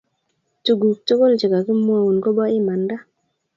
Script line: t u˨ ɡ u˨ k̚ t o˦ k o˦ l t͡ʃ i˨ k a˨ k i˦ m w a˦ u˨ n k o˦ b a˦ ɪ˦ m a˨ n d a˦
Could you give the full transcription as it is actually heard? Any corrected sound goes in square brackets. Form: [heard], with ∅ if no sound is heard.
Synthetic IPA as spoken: t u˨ ɡ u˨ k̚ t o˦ k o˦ l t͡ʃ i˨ k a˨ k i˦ m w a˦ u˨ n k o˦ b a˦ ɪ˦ m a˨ n d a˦